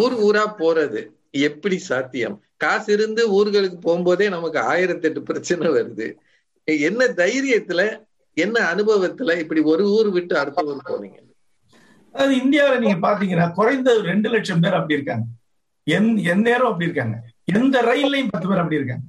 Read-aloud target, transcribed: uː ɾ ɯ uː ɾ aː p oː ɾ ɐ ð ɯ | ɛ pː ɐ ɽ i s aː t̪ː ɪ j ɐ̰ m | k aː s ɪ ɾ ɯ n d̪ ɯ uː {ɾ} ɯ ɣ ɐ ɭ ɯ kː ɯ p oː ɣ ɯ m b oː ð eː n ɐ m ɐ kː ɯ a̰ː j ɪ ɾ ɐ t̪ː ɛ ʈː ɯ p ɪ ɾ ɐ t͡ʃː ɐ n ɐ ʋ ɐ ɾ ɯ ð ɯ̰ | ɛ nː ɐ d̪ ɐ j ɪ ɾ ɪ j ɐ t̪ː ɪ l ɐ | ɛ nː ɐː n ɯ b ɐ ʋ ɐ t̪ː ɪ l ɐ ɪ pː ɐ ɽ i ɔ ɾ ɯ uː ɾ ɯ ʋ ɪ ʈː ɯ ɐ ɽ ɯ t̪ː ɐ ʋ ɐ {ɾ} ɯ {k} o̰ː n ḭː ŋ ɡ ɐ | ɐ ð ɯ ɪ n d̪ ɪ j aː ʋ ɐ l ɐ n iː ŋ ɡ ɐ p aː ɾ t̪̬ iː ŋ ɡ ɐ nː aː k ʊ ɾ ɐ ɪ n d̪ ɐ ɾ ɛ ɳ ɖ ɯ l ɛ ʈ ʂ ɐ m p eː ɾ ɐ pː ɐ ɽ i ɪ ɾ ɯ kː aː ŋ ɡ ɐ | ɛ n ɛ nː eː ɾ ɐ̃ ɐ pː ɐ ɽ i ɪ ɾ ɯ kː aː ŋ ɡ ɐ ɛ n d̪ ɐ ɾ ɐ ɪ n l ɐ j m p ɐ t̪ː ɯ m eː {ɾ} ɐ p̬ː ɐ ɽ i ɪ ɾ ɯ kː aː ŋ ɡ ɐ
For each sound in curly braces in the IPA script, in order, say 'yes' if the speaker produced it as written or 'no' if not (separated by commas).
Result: yes, yes, no, yes